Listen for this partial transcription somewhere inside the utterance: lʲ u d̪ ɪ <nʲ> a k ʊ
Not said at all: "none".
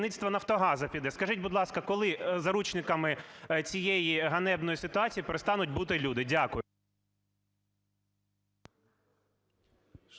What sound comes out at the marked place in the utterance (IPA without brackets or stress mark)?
dʲ